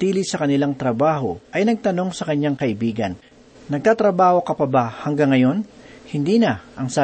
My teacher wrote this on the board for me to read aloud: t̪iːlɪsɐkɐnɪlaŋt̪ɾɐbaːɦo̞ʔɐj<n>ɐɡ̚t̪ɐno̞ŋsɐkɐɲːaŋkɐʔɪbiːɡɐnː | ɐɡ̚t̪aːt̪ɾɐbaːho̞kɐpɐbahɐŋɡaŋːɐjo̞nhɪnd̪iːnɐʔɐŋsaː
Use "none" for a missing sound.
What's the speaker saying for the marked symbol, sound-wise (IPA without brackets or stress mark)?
n